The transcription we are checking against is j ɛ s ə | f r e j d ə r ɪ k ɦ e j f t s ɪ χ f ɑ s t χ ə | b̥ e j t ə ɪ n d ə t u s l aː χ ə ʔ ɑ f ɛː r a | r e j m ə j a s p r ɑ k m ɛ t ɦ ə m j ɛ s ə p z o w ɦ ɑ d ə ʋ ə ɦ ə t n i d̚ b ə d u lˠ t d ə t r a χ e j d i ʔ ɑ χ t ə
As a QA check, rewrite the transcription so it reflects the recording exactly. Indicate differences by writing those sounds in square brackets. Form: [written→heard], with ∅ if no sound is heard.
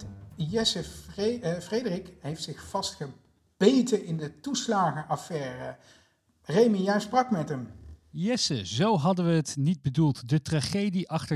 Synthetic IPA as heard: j ɛ s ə | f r e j d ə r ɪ k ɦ e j f t s ɪ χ f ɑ s t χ ə | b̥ e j t ə ɪ n d ə t u s l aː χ ə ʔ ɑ f ɛː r [a→ə] | r e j m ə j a s p r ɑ k m ɛ t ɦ ə m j ɛ s ə [p→∅] z o w ɦ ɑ d ə ʋ ə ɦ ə t n i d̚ b ə d u lˠ t d ə t r a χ e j d i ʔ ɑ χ t ə